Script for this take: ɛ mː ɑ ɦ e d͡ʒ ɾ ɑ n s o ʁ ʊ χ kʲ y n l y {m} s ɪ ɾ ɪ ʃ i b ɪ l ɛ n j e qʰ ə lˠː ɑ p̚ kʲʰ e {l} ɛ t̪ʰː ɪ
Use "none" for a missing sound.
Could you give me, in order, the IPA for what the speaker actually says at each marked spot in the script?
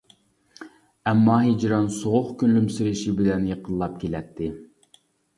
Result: m, l

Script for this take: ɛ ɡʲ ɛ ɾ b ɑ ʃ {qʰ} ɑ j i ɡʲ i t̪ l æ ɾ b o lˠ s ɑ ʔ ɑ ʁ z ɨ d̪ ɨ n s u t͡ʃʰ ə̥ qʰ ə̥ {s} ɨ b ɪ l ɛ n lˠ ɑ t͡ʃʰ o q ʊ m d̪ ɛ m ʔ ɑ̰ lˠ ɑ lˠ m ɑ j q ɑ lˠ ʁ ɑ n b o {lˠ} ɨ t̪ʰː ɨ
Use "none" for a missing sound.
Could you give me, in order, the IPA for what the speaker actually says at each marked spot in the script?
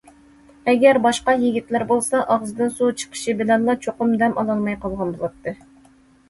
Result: q, ʃ, lˠ

